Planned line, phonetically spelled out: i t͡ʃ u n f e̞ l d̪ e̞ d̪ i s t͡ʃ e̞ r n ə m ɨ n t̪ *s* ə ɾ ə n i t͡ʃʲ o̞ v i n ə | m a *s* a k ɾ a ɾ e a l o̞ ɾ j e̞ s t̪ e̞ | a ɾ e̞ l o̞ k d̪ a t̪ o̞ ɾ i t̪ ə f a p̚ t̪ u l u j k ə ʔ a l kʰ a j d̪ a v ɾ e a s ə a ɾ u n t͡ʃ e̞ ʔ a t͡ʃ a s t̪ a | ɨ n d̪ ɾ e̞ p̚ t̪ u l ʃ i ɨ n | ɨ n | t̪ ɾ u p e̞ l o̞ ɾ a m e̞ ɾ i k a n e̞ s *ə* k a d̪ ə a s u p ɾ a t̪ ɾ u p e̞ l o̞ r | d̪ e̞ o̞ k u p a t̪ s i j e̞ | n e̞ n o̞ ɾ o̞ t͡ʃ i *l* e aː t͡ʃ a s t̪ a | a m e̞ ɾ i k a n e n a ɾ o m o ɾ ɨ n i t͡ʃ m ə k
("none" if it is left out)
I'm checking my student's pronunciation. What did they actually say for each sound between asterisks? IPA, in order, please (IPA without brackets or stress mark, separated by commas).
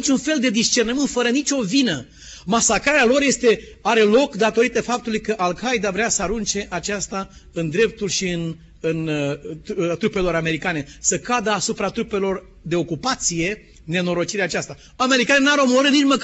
f, s, ə, ɾ